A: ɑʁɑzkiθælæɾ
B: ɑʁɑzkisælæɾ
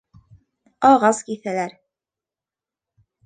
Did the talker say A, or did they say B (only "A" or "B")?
A